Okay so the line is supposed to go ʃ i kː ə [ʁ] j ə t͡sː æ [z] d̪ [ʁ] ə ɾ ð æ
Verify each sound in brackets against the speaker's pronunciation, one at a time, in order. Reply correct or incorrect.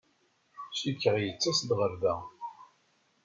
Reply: correct, incorrect, correct

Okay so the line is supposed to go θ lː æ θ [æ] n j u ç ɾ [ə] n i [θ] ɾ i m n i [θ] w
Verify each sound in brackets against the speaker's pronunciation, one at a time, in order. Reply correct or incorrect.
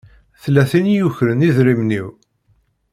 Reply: incorrect, correct, incorrect, incorrect

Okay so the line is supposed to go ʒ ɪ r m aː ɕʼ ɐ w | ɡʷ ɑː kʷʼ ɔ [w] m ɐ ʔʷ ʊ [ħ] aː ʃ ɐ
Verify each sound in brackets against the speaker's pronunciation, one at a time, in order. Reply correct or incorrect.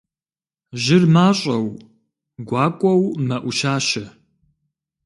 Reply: correct, incorrect

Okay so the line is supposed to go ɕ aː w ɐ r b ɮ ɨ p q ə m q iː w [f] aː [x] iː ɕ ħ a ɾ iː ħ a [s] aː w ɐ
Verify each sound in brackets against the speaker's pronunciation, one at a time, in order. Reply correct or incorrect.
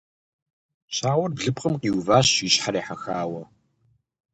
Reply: incorrect, incorrect, incorrect

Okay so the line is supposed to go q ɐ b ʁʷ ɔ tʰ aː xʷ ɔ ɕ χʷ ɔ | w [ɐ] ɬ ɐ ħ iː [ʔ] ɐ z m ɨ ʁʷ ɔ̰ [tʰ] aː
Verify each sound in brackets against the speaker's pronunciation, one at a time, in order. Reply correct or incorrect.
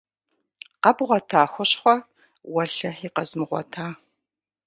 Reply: correct, incorrect, correct

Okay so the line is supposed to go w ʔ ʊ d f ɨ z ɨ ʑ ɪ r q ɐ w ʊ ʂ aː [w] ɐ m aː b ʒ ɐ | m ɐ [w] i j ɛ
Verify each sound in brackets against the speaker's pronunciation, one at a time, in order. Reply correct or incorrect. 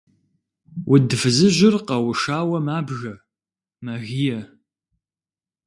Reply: correct, incorrect

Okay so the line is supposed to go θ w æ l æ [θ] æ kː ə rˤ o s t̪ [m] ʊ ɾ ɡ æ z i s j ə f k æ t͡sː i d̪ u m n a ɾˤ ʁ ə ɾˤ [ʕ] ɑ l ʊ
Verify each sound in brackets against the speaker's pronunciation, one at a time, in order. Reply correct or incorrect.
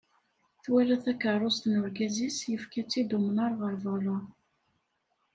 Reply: correct, incorrect, incorrect

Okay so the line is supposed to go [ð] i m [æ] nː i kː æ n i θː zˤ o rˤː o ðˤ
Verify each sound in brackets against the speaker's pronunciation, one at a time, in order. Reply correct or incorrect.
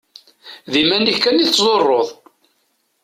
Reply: correct, correct

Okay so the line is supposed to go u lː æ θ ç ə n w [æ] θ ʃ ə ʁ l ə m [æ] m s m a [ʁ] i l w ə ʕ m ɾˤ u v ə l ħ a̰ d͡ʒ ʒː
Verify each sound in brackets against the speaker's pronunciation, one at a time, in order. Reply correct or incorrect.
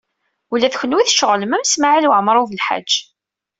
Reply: incorrect, correct, incorrect

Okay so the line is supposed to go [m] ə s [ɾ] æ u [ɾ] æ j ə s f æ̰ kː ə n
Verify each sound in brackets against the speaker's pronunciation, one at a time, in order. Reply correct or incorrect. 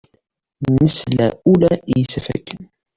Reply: incorrect, incorrect, incorrect

